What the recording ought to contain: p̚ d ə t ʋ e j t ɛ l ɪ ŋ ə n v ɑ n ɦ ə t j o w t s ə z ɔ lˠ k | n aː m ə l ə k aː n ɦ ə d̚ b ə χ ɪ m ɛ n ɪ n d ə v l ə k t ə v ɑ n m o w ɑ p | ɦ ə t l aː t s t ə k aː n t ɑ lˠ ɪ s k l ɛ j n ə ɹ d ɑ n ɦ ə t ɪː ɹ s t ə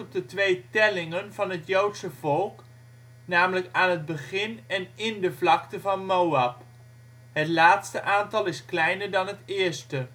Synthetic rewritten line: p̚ d ə t ʋ e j t ɛ l ɪ ŋ ə n v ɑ n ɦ ə t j o w t s ə v ɔ lˠ k | n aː m ə l ə k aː n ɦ ə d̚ b ə χ ɪ n ɛ n ɪ n d ə v l ɑ k t ə v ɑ n m o w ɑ p | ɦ ə t l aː t s t ə ʔ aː n t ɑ lˠ ɪ s k l ɛ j n ə ɹ d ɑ n ɦ ə t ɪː ɹ s t ə